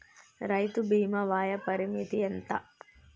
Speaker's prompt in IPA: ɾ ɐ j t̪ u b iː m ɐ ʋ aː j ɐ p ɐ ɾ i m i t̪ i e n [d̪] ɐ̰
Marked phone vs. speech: incorrect: t̪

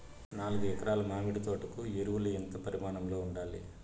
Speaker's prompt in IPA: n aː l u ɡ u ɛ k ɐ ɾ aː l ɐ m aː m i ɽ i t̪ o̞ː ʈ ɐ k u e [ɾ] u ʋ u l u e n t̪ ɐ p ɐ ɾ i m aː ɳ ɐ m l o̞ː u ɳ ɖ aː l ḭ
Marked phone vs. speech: correct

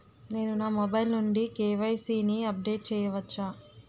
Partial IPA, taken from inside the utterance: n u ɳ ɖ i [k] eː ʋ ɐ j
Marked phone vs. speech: correct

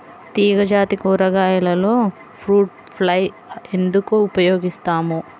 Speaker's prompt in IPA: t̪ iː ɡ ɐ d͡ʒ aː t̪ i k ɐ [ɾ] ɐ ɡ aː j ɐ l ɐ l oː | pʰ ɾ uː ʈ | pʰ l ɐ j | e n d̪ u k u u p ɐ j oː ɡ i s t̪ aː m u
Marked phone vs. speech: correct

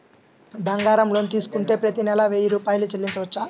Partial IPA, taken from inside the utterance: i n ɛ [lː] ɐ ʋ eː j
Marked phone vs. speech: incorrect: l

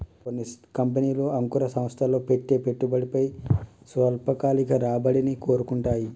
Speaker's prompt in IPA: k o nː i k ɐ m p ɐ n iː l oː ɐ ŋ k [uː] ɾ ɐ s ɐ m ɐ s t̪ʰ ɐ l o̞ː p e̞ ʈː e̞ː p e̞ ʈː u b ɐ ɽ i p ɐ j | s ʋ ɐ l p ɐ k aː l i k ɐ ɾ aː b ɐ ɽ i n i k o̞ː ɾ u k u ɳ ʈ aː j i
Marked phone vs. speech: incorrect: u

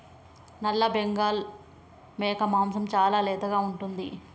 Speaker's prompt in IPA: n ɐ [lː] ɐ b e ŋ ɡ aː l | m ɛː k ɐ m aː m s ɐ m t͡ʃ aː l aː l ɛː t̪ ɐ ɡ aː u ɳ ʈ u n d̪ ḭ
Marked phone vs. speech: correct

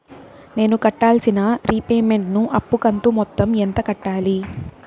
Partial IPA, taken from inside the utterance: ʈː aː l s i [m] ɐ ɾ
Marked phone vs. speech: incorrect: n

